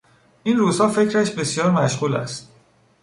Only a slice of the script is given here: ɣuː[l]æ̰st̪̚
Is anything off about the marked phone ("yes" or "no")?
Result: no